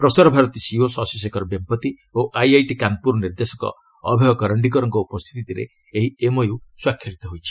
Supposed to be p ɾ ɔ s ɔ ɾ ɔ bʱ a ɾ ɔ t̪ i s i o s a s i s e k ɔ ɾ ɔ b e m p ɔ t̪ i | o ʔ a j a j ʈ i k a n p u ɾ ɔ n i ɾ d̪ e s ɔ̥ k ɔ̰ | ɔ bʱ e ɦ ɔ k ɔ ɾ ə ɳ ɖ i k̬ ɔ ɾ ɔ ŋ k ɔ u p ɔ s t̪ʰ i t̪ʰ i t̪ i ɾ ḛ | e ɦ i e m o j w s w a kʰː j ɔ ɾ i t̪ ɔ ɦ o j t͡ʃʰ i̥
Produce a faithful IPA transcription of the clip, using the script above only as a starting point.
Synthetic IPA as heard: p ɾ ɔ s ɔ ɾ ɔ bʱ a ɾ ɔ t̪ i s i o s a s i s e k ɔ ɾ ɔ b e m p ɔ t̪ i | o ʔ a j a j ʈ i k a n p u ɾ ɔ n i ɾ d̪ e s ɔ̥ k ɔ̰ | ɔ bʱ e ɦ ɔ k ɔ ɾ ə ɳ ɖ i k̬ ɔ ɾ ɔ ŋ k ɔ u p ɔ s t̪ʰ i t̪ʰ i t̪ i ɾ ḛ | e ɦ i e m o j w s w a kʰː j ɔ ɾ i t̪ ɔ ɦ o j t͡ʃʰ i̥